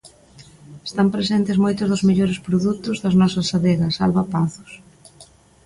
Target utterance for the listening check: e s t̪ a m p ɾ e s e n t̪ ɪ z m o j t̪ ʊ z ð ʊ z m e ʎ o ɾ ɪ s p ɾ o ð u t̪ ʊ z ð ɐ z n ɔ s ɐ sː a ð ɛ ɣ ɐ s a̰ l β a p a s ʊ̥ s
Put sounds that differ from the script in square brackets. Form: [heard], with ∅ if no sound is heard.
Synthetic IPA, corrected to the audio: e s t̪ a m p ɾ e s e n t̪ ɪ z m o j t̪ ʊ z ð ʊ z m e ʎ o ɾ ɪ s p ɾ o ð u t̪ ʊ z ð ɐ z n ɔ s ɐ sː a ð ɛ ɣ ɐ s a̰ l β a p a [θ] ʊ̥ s